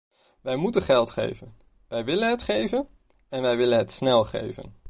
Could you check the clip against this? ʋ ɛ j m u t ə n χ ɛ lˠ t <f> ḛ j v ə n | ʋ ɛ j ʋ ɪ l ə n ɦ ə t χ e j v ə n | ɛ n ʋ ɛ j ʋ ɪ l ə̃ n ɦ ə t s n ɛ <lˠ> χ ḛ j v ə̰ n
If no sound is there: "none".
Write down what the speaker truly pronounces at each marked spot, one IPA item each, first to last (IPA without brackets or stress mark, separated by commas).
χ, lˠ